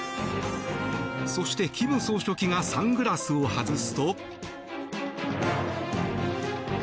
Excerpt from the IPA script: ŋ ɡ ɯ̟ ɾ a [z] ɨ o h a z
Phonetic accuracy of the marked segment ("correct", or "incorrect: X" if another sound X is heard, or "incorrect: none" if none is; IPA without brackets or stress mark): incorrect: s